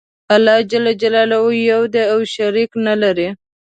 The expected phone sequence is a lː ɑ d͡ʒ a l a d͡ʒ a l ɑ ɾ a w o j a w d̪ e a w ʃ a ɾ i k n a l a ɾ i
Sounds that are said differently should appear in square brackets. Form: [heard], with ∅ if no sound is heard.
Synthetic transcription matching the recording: a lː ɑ d͡ʒ a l a d͡ʒ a l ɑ [l] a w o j a w d̪ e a w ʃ a ɾ i k n a l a ɾ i